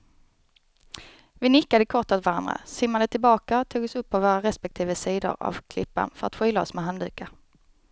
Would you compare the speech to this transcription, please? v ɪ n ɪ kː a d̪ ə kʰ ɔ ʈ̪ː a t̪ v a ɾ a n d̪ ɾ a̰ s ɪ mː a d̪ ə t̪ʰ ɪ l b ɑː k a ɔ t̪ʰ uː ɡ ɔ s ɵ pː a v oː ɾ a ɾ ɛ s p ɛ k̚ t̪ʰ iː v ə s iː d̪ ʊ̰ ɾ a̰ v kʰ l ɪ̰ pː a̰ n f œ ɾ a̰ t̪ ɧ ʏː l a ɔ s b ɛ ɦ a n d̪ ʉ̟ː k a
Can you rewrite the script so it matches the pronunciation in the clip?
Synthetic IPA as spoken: v ɪ n ɪ kː a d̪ ə kʰ ɔ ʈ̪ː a t̪ v a ɾ a n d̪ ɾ a̰ s ɪ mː a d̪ ə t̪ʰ ɪ l b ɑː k a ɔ t̪ʰ uː ɡ ɔ s ɵ pː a v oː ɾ a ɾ ɛ s p ɛ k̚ t̪ʰ iː v ə s iː d̪ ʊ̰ ɾ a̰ v kʰ l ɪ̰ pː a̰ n f œ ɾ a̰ t̪ ɧ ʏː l a ɔ s m ɛ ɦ a n d̪ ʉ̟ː k a